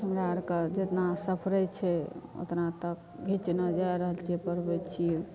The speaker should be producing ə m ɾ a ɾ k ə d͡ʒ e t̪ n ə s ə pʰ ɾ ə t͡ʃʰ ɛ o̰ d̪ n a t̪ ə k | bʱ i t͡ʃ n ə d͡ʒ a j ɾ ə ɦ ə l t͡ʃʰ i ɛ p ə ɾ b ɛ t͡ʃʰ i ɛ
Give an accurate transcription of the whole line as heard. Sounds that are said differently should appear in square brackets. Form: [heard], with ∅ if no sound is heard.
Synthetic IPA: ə m ɾ a ɾ k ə d͡ʒ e t̪ n [a] s ə pʰ ɾ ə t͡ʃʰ ɛ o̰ [t̪] n a t̪ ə k | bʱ i t͡ʃ n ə d͡ʒ a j ɾ ə ɦ ə l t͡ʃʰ i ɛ p ə ɾ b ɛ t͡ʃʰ i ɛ